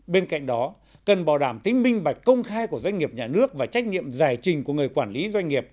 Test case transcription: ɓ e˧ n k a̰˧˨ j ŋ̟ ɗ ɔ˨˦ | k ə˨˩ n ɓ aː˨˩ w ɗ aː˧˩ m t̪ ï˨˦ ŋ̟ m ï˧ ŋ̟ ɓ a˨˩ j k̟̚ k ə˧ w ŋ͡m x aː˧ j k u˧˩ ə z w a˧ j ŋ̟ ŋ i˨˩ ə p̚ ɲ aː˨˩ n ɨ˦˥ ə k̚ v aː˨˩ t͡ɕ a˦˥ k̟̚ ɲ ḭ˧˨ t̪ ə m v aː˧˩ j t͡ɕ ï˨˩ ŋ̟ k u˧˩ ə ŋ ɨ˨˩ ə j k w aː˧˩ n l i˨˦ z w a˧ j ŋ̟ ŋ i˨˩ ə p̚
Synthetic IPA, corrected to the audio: ɓ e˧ n k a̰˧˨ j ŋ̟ ɗ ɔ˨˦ | k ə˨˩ n ɓ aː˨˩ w ɗ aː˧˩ m t̪ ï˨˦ ŋ̟ m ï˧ ŋ̟ ɓ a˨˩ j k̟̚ k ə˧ w ŋ͡m x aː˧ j k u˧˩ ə z w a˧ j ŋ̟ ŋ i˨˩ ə p̚ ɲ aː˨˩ n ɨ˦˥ ə k̚ v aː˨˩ t͡ɕ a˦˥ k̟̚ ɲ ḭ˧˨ ə m z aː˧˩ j t͡ɕ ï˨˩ ŋ̟ k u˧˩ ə ŋ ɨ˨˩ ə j k w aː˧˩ n l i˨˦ z w a˧ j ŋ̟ ŋ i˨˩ ə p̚